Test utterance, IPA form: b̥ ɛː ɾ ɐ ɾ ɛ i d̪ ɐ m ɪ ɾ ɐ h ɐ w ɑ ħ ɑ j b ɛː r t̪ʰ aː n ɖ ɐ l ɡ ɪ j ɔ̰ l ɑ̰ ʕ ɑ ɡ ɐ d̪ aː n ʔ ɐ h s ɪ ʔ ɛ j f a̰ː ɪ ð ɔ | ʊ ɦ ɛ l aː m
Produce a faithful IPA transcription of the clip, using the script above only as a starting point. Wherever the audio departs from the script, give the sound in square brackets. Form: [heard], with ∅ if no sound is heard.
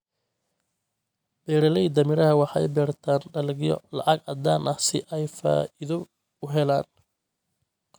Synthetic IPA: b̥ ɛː ɾ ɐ [l] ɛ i d̪ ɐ m ɪ ɾ ɐ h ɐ w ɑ ħ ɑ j b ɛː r t̪ʰ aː n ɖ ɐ l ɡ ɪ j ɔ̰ l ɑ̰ ʕ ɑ ɡ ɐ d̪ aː n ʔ ɐ h s ɪ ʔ ɛ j f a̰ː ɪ ð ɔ | ʊ ɦ ɛ l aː [n]